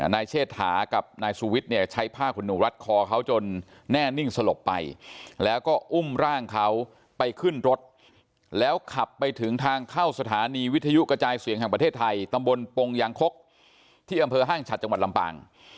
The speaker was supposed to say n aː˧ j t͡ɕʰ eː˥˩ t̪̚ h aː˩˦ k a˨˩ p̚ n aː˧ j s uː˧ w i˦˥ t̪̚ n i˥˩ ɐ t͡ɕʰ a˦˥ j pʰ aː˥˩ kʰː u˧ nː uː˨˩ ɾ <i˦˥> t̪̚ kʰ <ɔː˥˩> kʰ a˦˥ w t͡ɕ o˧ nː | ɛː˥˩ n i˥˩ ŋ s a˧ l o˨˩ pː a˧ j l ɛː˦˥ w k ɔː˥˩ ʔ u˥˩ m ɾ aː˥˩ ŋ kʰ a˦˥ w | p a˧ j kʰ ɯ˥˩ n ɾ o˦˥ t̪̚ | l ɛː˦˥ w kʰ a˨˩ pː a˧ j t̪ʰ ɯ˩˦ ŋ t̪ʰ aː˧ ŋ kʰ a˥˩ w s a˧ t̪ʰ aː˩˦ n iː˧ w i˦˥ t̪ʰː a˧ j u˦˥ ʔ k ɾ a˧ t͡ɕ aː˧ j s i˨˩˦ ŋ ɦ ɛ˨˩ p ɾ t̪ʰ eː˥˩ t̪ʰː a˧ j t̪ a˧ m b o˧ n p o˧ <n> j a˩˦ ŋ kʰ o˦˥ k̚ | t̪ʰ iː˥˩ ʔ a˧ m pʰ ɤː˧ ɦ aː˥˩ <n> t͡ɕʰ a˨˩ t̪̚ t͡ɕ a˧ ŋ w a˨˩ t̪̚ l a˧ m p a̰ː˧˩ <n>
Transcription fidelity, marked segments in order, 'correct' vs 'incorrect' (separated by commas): incorrect, incorrect, incorrect, incorrect, incorrect